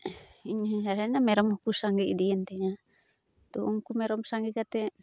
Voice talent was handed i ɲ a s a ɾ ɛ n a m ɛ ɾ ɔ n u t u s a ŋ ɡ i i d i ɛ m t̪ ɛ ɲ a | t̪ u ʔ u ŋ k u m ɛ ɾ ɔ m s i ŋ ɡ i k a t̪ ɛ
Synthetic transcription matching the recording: i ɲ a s a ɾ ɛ n a m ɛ ɾ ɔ m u k u s a ŋ ɡ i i d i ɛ n t̪ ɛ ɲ a | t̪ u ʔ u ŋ k u m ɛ ɾ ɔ m s a ŋ ɡ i k a t̪ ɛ